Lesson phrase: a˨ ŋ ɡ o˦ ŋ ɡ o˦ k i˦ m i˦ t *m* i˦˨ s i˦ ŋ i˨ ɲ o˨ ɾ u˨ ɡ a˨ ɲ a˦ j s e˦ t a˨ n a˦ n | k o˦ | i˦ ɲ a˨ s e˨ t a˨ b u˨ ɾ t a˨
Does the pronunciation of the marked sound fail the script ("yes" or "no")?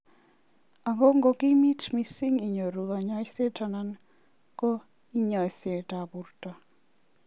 no